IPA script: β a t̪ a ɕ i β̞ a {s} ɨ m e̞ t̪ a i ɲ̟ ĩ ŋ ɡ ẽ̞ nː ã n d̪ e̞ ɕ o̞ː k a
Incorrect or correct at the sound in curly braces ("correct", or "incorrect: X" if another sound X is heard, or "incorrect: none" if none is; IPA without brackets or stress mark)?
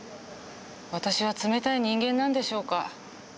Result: incorrect: t͡s